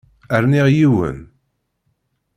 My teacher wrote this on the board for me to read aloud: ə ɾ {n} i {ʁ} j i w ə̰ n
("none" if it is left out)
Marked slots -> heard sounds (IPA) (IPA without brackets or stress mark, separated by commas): n, ʁ